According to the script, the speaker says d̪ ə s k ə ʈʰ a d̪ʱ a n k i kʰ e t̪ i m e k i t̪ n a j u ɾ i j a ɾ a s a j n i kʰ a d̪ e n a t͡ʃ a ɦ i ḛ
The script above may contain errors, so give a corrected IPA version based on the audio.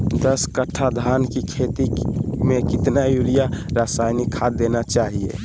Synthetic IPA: d̪ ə s k ə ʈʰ a d̪ʱ a n k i kʰ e t̪ i m e k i t̪ n a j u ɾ i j a ɾ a s a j n i kʰ a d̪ e n a t͡ʃ a ɦ i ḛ